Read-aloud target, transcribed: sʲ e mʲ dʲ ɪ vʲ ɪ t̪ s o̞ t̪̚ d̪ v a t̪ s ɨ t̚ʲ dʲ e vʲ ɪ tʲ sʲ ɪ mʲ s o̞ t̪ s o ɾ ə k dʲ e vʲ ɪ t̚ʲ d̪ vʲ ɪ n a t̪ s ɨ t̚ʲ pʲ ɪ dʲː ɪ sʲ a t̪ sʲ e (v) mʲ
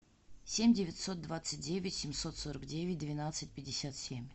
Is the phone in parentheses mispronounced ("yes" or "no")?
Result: yes